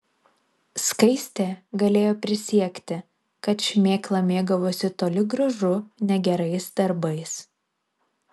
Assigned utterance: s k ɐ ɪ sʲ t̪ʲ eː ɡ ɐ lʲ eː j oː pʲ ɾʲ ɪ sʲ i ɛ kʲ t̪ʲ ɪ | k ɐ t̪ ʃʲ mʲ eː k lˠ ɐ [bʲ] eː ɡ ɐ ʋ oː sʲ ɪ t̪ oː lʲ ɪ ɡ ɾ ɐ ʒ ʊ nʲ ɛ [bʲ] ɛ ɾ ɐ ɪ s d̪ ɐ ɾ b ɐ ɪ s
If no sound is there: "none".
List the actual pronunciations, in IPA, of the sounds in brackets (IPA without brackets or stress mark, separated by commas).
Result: mʲ, ɡʲ